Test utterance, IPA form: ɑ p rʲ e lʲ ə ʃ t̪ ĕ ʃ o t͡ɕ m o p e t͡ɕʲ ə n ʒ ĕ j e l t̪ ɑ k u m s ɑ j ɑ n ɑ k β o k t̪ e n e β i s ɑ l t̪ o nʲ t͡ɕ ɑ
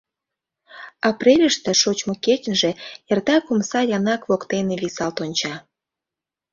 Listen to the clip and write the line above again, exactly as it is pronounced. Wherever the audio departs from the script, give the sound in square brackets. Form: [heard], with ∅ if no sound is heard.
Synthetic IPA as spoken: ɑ p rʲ e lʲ ə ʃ t̪ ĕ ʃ o t͡ɕ m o [k] e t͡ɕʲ ə n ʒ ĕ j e [r] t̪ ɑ k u m s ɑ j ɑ n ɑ k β o k t̪ e n e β i s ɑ l t̪ o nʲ t͡ɕ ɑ

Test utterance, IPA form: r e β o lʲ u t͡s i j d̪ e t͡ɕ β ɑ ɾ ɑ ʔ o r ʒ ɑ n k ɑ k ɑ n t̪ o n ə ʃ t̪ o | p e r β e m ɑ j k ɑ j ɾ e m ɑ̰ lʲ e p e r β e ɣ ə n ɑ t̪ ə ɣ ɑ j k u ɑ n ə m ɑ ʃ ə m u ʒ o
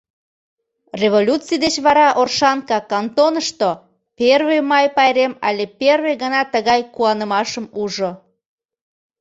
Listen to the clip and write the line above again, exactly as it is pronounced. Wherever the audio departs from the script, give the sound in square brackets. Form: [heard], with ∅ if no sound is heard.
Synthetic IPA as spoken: r e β o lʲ u t͡s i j d̪ e t͡ɕ β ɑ ɾ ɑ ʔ o r [ʃ] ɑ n k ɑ k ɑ n t̪ o n ə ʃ t̪ o | p e r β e m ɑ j [p] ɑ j ɾ e m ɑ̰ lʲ e p e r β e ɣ ə n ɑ t̪ ə ɣ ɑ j k u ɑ n ə m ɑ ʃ ə m u ʒ o

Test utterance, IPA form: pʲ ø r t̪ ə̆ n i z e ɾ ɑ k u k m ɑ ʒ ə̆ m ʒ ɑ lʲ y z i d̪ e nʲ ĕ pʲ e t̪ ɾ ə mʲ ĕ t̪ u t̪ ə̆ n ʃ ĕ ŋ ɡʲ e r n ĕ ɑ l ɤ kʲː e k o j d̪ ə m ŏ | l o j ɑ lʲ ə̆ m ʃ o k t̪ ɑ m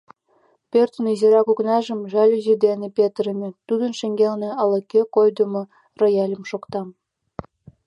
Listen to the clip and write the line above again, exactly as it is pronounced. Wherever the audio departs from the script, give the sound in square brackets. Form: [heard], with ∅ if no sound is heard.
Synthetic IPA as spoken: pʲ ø r t̪ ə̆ n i z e ɾ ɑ k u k [n] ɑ ʒ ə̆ m ʒ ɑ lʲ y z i d̪ e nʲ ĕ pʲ e t̪ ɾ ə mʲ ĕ t̪ u [d̪] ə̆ n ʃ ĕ ŋ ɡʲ e [l] n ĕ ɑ l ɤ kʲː e k o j d̪ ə m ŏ | [r] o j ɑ lʲ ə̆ m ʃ o k t̪ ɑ m

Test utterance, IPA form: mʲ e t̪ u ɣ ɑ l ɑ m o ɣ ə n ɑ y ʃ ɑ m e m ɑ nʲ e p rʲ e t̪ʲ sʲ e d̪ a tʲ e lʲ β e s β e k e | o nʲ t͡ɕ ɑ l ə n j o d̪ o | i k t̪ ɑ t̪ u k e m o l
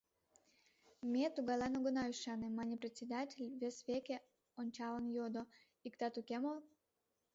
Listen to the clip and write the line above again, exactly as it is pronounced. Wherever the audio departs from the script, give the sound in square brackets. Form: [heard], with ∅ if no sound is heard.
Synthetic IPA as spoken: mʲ e t̪ u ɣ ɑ l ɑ [n] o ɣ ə n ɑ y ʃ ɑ [n] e m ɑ nʲ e p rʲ e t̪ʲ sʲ e d̪ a tʲ e lʲ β e s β e k e | o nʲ t͡ɕ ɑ l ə n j o d̪ o | i k t̪ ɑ t̪ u k e m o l

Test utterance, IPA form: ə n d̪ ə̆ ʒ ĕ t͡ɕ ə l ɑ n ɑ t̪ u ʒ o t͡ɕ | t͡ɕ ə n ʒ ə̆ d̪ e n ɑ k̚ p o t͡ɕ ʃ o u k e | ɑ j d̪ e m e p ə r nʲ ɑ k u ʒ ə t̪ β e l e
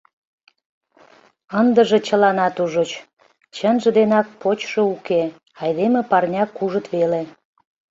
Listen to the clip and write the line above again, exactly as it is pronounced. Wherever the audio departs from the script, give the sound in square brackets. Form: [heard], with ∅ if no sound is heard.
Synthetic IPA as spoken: ə n d̪ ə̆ ʒ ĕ t͡ɕ ə l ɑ n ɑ t̪ u ʒ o t͡ɕ | t͡ɕ ə n ʒ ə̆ d̪ e n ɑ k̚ p o t͡ɕ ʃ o u k e | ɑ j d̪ e m e p [ɑ] r nʲ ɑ k u ʒ ə t̪ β e l e

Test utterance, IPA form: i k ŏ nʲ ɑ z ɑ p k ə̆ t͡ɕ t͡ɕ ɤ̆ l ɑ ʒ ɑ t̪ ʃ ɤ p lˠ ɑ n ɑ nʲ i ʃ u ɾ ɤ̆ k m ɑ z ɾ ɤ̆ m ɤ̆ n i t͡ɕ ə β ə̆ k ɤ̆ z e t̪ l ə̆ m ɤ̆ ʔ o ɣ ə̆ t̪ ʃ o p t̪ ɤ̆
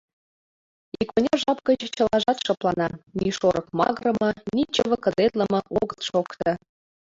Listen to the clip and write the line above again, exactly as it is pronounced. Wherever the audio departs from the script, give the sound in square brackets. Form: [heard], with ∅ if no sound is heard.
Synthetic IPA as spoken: i k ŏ nʲ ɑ [ʒ] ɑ p k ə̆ t͡ɕ t͡ɕ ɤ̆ l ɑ ʒ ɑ t̪ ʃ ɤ p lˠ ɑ n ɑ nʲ i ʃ [o] ɾ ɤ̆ k m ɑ [ɣ] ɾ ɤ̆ m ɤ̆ n i t͡ɕ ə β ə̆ k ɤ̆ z e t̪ l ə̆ m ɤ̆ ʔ o ɣ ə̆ t̪ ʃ o [k] t̪ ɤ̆

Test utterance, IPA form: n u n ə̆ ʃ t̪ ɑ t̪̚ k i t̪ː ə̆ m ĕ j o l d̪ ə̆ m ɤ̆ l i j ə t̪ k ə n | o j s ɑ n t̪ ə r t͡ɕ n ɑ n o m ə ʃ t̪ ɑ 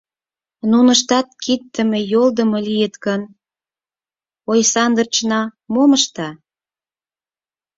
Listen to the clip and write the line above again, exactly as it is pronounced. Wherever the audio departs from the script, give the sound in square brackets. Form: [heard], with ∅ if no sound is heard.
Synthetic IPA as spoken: n u n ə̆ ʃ t̪ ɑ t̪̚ k i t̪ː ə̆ m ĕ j o l d̪ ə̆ m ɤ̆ l i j ə t̪ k ə n | o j s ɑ n [d̪] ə r t͡ɕ n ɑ [m] o m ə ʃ t̪ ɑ

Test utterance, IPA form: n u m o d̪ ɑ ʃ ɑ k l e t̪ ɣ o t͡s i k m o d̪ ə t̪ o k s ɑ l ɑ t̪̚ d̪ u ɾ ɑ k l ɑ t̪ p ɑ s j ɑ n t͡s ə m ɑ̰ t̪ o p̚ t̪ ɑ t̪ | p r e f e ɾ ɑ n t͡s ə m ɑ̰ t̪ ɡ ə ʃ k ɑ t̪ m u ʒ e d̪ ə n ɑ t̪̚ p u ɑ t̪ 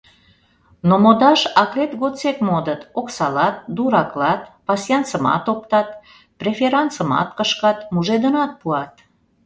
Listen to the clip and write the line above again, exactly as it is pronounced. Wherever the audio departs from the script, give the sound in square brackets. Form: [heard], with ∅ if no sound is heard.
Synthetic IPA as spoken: n [o] m o d̪ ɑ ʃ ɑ k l e t̪ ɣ o t͡s [e] k m o d̪ ə t̪ o k s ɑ l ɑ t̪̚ d̪ u ɾ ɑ k l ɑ t̪ p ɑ s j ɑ n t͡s ə m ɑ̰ t̪ o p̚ t̪ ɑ t̪ | p r e f e ɾ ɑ n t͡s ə m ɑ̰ t̪ [k] ə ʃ k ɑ t̪ m u ʒ e d̪ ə n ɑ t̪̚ p u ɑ t̪

